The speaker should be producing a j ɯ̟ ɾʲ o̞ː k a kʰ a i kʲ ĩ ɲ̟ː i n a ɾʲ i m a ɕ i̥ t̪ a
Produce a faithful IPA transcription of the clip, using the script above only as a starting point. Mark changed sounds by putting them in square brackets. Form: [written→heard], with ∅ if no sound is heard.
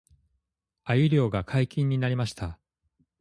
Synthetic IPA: a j ɯ̟ ɾʲ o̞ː [k→ɡ] a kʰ a i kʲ ĩ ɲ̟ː i n a ɾʲ i m a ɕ i̥ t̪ a

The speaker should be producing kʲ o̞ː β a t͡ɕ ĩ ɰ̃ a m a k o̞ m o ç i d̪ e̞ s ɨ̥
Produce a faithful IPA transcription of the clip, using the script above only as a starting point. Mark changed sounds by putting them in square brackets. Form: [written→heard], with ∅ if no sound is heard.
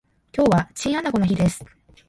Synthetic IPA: kʲ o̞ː β a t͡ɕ ĩ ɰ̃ a [m→n] a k o̞ [m→n] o ç i d̪ e̞ s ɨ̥

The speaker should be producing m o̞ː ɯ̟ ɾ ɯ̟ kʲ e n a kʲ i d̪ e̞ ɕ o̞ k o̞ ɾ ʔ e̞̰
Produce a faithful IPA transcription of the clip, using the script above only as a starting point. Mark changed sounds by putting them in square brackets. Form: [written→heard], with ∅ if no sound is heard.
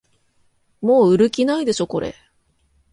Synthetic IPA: m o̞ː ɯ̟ ɾ ɯ̟ kʲ [e→i] n a [kʲ→∅] i d̪ e̞ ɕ o̞ k o̞ ɾ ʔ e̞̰

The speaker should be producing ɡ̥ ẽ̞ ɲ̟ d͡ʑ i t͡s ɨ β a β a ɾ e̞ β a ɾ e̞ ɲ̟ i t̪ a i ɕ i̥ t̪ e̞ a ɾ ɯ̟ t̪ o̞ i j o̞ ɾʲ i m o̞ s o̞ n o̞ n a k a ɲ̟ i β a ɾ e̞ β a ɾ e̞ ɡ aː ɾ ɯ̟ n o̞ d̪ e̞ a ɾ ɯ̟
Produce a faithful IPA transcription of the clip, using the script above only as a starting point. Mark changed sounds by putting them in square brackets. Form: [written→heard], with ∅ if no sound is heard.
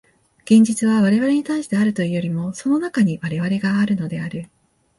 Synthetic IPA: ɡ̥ ẽ̞ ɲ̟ d͡ʑ i t͡s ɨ β a β a ɾ e̞ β a ɾ e̞ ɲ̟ i t̪ a i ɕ i̥ t̪ e̞ a ɾ ɯ̟ t̪ o̞ i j o̞ ɾʲ i m o̞ s o̞ n o̞ n a k a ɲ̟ i β a ɾ e̞ β a ɾ e̞ ɡ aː ɾ ɯ̟ n o̞ d̪ e̞ a ɾ ɯ̟

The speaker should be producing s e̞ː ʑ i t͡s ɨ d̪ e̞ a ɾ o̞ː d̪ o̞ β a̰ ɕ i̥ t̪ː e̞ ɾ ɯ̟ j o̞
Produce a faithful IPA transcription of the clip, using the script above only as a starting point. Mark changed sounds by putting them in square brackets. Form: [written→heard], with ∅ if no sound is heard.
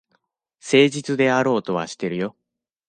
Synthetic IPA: s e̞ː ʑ i t͡s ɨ d̪ e̞ a ɾ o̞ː [d̪→t̪] o̞ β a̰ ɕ i̥ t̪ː e̞ ɾ ɯ̟ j o̞

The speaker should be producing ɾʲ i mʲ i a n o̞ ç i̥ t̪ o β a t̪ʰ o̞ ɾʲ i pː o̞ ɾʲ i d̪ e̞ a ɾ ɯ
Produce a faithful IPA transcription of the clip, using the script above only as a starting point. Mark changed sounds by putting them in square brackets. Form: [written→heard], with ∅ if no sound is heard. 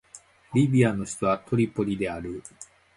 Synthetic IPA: ɾʲ i [mʲ→bʲ] i a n o̞ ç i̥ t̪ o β a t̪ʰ o̞ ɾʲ i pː o̞ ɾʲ i d̪ e̞ a ɾ ɯ

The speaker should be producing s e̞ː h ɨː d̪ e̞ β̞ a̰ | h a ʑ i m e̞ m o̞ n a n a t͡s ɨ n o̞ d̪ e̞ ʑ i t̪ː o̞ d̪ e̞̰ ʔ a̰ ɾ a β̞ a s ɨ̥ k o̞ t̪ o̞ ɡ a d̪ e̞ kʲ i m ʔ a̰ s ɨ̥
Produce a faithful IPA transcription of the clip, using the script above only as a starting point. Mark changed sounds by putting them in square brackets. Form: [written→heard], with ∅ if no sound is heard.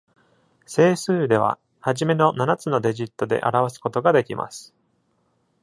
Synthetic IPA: s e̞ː [h→s] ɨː d̪ e̞ β̞ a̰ | h a ʑ i m e̞ [m→n] o̞ n a n a t͡s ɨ n o̞ d̪ e̞ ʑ i t̪ː o̞ d̪ e̞̰ ʔ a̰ ɾ a β̞ a s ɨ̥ k o̞ t̪ o̞ ɡ a d̪ e̞ kʲ i m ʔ a̰ s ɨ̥

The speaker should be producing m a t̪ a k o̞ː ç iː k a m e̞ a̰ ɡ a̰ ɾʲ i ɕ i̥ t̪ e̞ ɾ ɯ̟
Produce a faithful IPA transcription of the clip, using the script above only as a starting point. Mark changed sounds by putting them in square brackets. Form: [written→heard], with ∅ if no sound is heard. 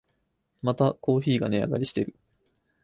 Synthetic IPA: m a t̪ a k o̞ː ç iː [k→ɡ] a [m→n] e̞ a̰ ɡ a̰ ɾʲ i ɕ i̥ t̪ e̞ ɾ ɯ̟

